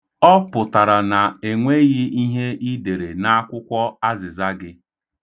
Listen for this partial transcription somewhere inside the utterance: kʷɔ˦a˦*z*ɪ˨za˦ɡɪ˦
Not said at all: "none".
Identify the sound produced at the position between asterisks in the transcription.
z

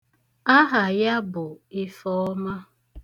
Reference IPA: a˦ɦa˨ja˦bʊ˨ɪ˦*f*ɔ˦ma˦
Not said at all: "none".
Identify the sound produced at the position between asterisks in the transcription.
f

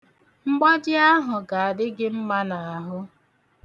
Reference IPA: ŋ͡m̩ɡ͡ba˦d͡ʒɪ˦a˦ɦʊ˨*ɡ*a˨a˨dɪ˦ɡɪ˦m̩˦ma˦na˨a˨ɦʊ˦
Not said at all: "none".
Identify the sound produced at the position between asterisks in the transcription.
ɡ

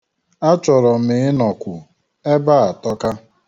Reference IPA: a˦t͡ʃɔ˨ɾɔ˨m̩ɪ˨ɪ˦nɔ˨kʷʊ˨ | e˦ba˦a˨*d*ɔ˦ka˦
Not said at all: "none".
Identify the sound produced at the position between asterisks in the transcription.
t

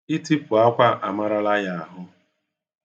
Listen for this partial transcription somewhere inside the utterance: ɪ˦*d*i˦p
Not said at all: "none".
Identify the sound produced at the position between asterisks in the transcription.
t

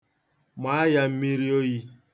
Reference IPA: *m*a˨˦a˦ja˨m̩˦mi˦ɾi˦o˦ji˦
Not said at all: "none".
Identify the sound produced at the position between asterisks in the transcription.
m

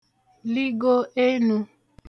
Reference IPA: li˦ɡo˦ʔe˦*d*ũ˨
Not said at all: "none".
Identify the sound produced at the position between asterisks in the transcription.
n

